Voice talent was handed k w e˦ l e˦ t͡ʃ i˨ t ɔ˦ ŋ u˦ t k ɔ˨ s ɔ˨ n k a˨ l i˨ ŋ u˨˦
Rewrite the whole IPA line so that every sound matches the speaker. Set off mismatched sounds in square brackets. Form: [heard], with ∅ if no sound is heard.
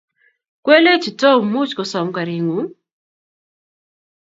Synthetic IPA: k w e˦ l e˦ t͡ʃ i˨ t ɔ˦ [m] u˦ [t͡ʃ] k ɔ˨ s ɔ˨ [m] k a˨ [ɾ] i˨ ŋ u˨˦